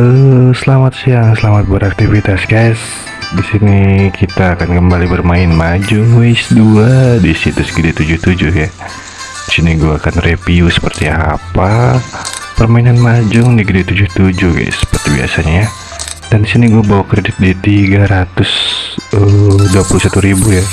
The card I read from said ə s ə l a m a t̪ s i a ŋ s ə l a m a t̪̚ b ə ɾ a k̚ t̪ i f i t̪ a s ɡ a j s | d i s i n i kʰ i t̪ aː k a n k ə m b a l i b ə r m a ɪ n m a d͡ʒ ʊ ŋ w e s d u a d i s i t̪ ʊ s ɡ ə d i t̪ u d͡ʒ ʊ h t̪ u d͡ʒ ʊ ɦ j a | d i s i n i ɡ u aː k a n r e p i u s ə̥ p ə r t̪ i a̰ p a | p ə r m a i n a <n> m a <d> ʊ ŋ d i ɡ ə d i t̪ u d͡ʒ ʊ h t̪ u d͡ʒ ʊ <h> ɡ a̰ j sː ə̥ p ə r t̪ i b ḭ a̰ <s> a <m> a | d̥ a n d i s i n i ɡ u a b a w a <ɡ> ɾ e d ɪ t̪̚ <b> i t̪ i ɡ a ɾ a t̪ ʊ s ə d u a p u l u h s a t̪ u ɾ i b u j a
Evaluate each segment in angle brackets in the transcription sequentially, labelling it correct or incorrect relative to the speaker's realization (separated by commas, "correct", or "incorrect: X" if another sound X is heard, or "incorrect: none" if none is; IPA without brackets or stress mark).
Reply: correct, incorrect: d͡ʒ, correct, correct, incorrect: ɲ, incorrect: k, incorrect: d